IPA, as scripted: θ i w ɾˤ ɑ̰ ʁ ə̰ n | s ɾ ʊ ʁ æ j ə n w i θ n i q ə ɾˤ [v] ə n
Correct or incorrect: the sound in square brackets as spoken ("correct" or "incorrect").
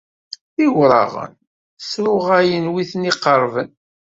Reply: correct